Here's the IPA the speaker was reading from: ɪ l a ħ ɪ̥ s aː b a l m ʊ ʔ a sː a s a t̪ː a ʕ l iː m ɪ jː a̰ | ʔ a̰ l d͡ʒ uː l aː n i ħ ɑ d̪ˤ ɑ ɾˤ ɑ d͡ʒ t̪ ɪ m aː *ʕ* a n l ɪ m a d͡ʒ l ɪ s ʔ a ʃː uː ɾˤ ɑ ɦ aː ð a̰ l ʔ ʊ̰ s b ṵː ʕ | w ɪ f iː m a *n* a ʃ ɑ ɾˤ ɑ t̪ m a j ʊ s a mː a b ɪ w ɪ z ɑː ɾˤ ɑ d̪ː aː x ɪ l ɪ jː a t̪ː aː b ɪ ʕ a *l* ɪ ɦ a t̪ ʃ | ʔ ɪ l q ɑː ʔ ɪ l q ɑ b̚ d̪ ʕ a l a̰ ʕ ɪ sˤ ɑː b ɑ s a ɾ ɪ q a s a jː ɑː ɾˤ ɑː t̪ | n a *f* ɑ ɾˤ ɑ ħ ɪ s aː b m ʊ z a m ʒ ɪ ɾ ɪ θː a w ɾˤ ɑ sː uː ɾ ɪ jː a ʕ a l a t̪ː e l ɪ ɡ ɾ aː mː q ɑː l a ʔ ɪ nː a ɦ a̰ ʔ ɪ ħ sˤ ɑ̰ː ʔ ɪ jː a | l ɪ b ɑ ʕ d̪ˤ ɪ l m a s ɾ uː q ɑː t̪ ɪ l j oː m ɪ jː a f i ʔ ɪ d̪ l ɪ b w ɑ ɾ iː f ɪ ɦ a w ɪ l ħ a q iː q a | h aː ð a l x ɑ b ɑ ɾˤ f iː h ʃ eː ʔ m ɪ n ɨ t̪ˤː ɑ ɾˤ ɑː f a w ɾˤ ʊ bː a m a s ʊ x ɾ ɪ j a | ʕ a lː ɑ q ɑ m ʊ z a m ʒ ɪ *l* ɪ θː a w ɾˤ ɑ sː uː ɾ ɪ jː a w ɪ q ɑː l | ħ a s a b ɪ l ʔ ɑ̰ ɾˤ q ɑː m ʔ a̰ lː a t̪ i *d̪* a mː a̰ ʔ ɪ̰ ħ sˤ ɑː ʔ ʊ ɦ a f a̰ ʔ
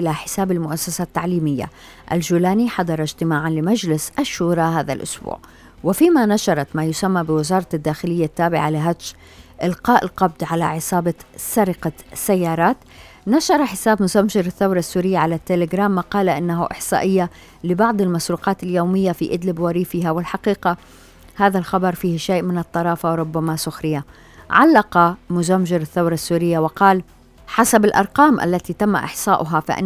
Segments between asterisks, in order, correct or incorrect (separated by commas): correct, correct, correct, incorrect, incorrect, incorrect